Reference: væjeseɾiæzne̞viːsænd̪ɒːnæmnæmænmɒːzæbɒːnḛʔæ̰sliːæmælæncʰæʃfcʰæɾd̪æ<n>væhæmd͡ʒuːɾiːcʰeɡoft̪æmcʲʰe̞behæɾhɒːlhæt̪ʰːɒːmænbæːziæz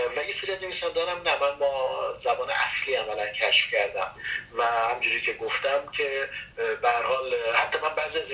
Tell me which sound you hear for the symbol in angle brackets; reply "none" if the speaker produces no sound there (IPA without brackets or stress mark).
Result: m